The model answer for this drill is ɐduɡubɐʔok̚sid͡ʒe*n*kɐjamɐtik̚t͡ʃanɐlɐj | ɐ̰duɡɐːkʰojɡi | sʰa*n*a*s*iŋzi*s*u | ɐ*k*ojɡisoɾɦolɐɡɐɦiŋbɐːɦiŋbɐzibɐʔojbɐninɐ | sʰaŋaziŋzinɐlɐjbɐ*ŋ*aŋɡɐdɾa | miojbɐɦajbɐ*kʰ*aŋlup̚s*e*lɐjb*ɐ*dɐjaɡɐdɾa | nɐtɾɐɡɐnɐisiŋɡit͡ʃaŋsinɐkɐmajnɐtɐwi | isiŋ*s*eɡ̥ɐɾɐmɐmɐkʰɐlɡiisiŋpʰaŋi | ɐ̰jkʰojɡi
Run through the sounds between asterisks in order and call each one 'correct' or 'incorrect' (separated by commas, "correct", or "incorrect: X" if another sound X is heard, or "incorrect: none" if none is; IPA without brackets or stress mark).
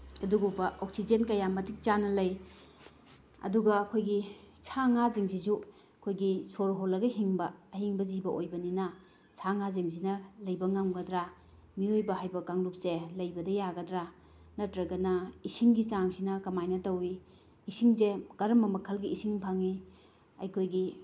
correct, incorrect: ŋ, incorrect: z, incorrect: z, incorrect: kʰ, correct, incorrect: k, correct, correct, incorrect: z